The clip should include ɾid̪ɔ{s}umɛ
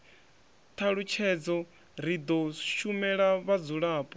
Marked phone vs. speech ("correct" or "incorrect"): incorrect